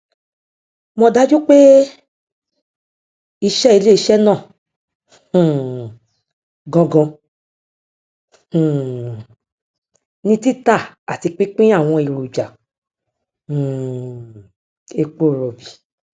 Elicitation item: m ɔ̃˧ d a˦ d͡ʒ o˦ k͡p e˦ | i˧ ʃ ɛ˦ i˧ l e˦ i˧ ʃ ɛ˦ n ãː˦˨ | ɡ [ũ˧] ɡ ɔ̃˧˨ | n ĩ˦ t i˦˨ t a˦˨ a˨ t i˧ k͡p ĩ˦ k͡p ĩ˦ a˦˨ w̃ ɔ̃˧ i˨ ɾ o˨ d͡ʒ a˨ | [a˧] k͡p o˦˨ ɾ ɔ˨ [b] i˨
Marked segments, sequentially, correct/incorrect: incorrect, incorrect, correct

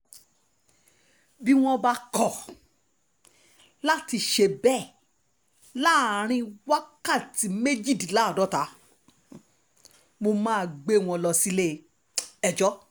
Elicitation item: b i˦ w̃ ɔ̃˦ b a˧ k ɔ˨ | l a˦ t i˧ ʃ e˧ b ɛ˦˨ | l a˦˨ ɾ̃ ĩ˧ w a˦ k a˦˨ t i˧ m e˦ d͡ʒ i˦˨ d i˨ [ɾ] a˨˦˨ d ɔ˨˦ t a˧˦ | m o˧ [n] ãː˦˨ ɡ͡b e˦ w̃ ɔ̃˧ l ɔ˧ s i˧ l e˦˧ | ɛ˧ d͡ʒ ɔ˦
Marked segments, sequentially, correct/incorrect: incorrect, incorrect

